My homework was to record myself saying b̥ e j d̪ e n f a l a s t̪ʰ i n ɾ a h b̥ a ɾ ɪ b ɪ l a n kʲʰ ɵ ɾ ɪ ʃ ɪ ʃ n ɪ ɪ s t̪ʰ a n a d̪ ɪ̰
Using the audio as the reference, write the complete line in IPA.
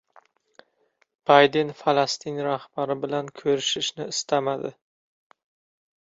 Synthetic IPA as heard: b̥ a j d̪ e n f a l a s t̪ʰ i n ɾ a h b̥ a ɾ ɪ b ɪ l a n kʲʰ ɵ ɾ ɪ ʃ ɪ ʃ n ɪ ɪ s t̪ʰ a m a d̪ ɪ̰